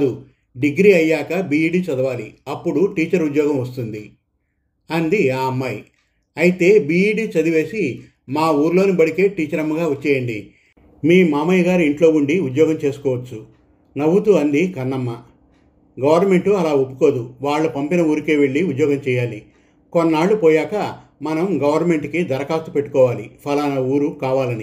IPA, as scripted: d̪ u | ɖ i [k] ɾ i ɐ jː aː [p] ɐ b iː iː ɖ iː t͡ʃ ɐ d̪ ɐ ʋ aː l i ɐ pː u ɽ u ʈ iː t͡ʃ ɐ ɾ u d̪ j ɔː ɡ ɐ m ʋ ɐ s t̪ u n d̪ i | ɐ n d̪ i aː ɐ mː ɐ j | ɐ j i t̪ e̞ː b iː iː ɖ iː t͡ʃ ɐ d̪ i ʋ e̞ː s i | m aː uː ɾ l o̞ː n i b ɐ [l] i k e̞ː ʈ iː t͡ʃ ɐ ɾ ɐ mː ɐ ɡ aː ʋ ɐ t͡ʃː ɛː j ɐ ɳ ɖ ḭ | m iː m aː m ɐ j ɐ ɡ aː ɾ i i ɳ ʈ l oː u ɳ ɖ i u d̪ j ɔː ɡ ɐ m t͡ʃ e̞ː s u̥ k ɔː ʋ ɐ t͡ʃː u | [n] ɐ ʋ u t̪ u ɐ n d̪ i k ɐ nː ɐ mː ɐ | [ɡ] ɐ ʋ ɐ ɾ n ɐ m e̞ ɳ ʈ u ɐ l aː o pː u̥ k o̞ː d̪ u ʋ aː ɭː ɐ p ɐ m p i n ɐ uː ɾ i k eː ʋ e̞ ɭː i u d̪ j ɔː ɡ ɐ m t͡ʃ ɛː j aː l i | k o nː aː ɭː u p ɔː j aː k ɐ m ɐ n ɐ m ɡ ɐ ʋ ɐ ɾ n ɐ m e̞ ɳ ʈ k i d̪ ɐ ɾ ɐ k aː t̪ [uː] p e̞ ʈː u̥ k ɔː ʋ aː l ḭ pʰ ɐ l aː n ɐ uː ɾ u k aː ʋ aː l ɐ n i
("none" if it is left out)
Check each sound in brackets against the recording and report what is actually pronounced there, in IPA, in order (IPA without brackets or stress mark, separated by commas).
ɡ, k, ɽ, n, ɡ, u